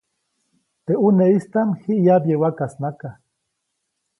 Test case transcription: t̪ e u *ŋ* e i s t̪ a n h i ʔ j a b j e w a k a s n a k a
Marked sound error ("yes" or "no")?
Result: yes